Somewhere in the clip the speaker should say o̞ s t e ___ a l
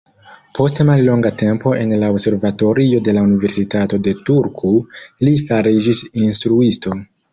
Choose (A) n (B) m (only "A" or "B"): B